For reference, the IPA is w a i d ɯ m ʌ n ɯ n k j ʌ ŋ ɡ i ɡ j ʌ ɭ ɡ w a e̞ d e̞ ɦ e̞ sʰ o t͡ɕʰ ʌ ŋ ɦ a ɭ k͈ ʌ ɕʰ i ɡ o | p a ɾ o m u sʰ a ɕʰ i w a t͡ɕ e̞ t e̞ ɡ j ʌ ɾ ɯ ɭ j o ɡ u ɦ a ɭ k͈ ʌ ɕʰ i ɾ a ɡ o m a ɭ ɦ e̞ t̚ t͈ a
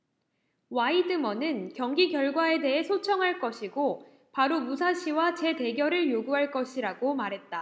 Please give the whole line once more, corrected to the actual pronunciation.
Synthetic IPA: w a i d ɯ m ʌ n ɯ n k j ʌ ŋ ɡ i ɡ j ʌ ɭ ɡ w a e̞ d e̞ ɦ e̞ sʰ o t͡ɕʰ ʌ ŋ ɦ a ɭ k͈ ʌ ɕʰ i ɡ o | p a ɾ o m u sʰ a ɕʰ i w a t͡ɕ e̞ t e̞ ɡ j ʌ ɾ ɯ ɭ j o ɡ u ɦ a ɭ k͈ ʌ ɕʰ i ɾ a ɡ o m a ɾ ɦ e̞ t̚ t͈ a